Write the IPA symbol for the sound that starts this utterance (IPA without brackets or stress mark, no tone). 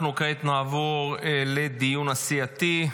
n